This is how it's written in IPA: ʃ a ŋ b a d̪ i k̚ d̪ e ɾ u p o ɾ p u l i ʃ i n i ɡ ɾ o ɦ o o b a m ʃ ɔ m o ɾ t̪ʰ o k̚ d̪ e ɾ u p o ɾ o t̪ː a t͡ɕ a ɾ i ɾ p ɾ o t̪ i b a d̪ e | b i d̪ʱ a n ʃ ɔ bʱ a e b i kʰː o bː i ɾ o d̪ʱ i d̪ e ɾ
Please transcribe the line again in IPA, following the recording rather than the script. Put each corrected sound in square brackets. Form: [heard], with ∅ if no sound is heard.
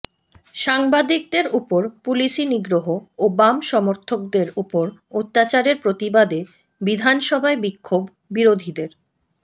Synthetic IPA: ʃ a ŋ b a d̪ i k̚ d̪ e ɾ u p o ɾ p u l i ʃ i n i ɡ ɾ o ɦ o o b a m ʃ ɔ m o ɾ t̪ʰ o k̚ d̪ e ɾ u p o ɾ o t̪ː a t͡ɕ a ɾ [e] ɾ p ɾ o t̪ i b a d̪ e | b i d̪ʱ a n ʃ ɔ bʱ a e b i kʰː o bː i ɾ o d̪ʱ i d̪ e ɾ